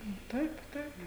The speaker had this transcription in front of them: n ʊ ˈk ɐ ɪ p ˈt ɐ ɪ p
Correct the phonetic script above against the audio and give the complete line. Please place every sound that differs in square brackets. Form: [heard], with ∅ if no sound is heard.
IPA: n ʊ [ˈt] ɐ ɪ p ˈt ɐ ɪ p